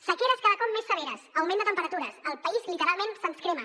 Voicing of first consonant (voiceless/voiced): voiceless